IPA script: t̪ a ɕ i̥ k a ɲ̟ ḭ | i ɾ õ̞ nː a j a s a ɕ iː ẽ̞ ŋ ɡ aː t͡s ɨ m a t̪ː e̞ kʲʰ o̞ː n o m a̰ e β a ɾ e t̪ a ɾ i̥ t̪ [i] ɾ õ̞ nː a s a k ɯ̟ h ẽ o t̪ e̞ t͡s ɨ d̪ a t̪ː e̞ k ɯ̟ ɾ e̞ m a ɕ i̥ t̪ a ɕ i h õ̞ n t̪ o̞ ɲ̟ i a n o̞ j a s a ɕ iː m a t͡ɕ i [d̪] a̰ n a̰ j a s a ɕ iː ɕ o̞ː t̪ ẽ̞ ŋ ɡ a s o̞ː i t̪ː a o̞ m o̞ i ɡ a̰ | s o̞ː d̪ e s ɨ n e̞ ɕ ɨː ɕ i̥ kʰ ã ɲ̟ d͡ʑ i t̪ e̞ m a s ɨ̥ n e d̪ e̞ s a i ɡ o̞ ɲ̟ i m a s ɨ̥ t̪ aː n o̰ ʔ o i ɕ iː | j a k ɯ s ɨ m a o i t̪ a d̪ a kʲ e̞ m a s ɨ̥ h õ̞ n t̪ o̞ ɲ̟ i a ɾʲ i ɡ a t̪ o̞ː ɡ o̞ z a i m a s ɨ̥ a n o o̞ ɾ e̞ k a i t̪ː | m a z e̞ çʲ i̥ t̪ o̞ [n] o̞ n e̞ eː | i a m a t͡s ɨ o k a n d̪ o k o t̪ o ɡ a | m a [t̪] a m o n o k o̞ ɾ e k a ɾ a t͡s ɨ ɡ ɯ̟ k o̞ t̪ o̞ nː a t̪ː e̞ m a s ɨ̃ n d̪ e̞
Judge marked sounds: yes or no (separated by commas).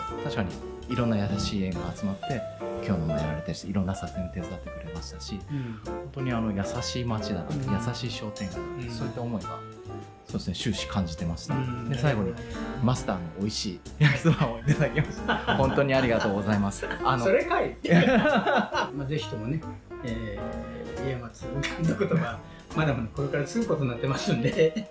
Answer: yes, yes, no, no